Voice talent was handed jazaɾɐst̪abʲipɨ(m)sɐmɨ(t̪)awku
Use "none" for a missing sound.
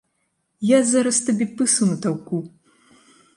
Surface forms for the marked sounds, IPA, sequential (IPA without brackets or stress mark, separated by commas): none, t̪